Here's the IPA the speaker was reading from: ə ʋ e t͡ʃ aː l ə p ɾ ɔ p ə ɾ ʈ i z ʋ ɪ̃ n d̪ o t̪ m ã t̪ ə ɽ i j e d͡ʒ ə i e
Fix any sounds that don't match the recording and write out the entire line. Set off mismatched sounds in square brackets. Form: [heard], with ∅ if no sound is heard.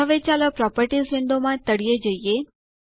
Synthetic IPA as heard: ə ʋ e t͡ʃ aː l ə p ɾ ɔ p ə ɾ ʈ i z ʋ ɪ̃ n d̪ o [∅] m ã t̪ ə ɽ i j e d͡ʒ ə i e